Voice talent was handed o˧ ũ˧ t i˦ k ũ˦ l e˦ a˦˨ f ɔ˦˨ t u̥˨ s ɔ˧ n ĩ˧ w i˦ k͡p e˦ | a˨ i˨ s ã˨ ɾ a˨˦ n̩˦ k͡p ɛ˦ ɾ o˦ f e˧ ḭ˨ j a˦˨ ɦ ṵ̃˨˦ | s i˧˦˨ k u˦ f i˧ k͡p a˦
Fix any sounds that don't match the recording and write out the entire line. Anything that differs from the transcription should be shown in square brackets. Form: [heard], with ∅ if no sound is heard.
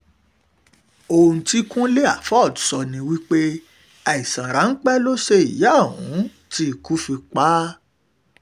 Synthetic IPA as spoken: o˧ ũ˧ t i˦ k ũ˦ l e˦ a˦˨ f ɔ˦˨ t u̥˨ s ɔ˧ n ĩ˧ w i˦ k͡p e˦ | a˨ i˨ s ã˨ ɾ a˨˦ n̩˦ k͡p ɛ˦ [l] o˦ [ʃ] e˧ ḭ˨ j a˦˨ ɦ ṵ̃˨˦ | [t] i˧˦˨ k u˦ f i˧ k͡p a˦